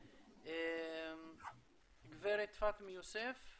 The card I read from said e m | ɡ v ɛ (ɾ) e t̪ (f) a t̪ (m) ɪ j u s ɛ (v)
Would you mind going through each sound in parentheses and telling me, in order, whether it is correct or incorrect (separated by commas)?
correct, correct, correct, incorrect